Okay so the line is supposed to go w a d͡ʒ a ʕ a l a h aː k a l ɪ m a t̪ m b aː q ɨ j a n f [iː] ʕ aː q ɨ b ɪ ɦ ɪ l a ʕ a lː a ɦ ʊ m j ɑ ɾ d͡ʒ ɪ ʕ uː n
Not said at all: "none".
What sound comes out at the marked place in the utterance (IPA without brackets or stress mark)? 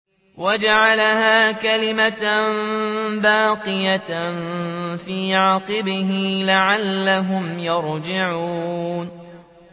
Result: iː